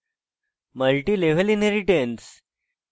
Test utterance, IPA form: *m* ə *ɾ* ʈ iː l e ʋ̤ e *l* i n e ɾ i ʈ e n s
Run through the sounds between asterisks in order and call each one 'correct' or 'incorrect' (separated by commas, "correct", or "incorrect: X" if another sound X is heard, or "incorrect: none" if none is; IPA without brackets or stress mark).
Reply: correct, incorrect: l, correct